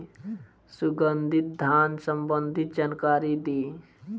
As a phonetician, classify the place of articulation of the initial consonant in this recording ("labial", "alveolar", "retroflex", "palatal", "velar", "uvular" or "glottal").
alveolar